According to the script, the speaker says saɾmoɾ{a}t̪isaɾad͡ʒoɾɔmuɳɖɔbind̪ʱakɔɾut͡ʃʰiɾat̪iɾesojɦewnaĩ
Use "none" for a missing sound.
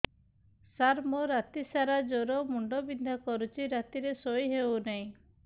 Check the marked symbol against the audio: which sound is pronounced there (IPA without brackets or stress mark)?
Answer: a